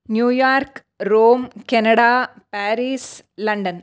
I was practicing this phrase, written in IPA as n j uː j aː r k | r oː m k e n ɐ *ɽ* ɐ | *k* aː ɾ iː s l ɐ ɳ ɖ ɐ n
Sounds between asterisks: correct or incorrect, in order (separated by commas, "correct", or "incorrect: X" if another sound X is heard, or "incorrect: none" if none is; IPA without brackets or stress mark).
correct, incorrect: p